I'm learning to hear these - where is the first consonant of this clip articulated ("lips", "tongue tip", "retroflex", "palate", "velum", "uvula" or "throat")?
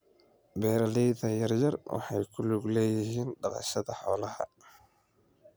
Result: lips